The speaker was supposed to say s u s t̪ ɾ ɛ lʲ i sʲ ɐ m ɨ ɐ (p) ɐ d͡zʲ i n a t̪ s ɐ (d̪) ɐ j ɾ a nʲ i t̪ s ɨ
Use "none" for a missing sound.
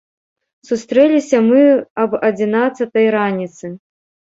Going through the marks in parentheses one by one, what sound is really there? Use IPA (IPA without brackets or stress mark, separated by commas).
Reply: b, t̪